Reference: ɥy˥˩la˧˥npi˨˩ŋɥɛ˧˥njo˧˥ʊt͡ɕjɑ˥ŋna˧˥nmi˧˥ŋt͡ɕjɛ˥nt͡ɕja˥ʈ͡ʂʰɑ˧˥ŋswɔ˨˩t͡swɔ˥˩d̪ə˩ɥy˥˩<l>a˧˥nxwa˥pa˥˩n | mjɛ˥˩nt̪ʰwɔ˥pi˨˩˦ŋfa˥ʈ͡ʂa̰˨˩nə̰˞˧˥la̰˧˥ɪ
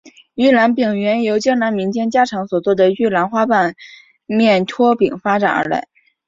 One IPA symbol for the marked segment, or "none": l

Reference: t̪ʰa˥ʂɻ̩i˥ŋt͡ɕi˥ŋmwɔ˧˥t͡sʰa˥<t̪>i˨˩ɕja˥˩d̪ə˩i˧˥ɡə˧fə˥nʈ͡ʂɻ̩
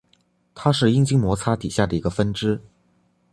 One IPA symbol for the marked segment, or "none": t̪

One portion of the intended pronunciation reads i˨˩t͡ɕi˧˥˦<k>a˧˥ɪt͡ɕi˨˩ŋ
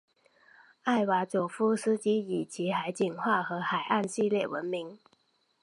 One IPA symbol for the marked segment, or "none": x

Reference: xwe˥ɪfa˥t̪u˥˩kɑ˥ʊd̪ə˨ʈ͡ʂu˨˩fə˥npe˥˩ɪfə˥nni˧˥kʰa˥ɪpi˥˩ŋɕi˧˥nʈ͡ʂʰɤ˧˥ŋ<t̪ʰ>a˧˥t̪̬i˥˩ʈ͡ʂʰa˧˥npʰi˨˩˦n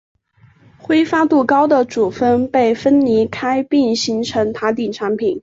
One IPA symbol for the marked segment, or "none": t̪ʰ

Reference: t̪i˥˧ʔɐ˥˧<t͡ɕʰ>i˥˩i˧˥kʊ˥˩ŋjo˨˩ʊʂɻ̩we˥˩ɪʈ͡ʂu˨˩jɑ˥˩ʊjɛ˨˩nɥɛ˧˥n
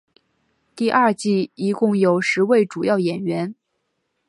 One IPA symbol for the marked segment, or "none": t͡ɕ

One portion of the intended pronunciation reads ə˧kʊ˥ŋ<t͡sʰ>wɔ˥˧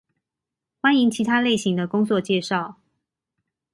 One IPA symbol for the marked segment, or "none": t͡s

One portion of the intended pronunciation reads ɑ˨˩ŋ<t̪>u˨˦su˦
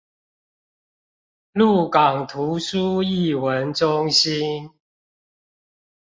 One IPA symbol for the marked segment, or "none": t̪ʰ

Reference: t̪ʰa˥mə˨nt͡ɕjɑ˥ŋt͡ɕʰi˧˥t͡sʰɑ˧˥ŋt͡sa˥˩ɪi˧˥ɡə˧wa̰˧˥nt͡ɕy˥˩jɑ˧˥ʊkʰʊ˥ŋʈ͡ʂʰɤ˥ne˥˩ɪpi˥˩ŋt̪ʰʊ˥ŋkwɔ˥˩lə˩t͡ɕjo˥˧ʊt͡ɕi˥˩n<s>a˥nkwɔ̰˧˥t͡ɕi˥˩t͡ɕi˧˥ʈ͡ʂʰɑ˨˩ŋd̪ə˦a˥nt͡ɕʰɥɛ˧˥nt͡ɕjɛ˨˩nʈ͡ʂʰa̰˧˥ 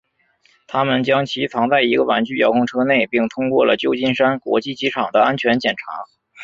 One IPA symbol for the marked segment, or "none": ʂ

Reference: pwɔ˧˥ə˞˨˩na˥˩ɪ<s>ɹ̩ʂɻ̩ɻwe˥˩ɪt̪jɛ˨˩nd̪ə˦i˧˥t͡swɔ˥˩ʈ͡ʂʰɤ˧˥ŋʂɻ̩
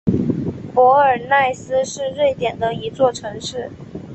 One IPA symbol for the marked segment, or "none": s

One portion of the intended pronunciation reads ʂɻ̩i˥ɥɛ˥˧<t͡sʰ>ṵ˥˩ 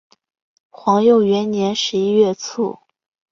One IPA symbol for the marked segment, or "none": t͡sʰ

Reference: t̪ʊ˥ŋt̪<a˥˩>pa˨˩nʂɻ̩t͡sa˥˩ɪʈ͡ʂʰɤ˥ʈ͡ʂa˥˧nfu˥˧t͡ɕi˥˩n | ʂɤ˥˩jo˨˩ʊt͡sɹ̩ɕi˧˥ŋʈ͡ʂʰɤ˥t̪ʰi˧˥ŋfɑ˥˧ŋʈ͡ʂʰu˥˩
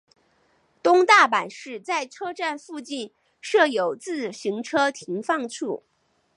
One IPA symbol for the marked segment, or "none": a˥˩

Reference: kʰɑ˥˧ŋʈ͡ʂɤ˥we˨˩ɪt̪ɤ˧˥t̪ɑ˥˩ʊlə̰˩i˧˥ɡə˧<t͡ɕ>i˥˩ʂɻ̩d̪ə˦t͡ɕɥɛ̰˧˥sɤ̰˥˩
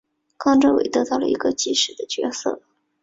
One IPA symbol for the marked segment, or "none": t͡ɕ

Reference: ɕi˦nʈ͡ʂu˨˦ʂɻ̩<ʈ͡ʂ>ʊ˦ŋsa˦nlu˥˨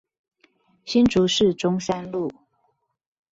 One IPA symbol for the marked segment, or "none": ʈ͡ʂ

